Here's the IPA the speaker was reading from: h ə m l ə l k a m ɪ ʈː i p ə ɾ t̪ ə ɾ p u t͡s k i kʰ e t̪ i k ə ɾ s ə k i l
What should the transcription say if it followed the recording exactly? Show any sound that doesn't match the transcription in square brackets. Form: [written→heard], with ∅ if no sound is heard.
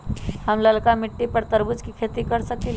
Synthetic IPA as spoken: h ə m l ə l k a m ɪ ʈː i p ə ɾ t̪ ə ɾ [p→b] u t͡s k i kʰ e t̪ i k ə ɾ s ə k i l